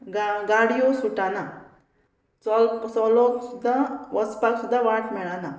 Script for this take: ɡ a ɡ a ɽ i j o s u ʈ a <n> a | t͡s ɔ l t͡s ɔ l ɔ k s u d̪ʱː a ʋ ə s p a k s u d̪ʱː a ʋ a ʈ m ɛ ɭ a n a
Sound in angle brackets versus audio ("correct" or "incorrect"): correct